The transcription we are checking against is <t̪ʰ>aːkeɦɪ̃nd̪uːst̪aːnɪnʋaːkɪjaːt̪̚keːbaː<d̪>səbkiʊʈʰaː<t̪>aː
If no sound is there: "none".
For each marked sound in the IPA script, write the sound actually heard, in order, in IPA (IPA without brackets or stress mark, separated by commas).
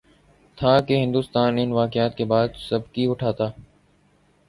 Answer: t̪ʰ, d̪, t̪